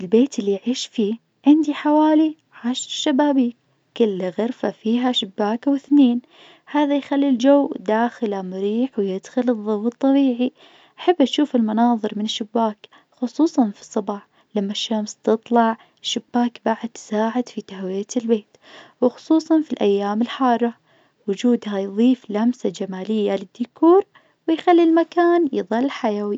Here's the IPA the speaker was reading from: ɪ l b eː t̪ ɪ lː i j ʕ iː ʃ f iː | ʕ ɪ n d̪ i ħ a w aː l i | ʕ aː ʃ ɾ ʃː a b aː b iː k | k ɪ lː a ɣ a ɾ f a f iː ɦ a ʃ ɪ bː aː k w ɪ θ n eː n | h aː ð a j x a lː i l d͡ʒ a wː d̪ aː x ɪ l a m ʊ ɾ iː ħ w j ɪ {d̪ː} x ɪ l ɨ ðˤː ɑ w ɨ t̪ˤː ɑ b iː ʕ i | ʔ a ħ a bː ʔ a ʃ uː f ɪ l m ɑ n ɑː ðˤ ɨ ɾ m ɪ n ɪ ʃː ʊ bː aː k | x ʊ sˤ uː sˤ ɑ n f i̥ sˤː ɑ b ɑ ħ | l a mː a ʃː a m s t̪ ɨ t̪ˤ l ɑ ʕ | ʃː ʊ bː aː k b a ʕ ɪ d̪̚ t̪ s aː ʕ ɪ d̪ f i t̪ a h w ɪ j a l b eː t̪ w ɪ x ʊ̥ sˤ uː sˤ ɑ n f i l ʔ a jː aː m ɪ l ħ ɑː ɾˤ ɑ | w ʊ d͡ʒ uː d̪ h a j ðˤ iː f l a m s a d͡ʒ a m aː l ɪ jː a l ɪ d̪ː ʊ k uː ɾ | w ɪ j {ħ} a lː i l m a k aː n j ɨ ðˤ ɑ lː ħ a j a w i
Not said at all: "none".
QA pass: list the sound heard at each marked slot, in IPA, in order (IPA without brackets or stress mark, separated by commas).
d̪, x